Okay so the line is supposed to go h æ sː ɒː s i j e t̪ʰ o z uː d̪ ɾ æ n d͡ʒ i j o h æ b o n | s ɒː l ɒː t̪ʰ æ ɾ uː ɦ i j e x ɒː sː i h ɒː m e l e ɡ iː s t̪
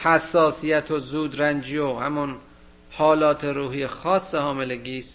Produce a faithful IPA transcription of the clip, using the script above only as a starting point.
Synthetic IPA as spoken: h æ sː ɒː s i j æ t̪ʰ o z uː d̪ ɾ æ n d͡ʒ i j o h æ m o n | h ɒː l ɒː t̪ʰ e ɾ uː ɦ i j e x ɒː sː e h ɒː m e l e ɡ iː s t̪